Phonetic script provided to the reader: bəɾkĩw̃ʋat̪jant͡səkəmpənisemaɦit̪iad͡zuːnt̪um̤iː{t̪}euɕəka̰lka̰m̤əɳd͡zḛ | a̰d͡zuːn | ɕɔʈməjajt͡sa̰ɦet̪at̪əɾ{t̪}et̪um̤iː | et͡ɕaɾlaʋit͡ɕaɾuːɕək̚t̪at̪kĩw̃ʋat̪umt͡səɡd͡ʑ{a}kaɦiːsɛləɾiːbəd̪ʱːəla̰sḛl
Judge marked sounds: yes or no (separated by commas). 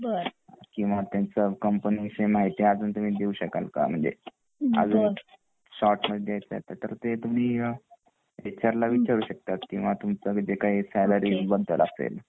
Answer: no, yes, no